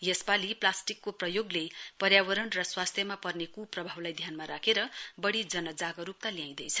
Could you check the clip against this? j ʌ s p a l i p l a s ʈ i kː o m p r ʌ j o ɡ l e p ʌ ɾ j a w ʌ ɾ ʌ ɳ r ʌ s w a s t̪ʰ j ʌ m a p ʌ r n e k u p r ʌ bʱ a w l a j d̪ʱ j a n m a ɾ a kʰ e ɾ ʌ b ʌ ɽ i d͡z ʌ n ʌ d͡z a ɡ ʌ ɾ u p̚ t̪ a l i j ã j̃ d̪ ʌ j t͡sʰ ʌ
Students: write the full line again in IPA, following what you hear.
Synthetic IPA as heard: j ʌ s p a l i p l a s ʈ i kː o p r ʌ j o ɡ l e p ʌ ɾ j a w ʌ ɾ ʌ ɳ r ʌ s w a s t̪ʰ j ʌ m a p ʌ r n e k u p r ʌ bʱ a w l a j d̪ʱ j a n m a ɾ a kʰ e ɾ ʌ b ʌ ɽ i d͡z ʌ n ʌ d͡z a ɡ ʌ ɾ u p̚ t̪ a l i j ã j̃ d̪ ʌ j t͡sʰ ʌ